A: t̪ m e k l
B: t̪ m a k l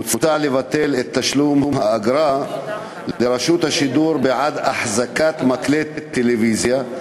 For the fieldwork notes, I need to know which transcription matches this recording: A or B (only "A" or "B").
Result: B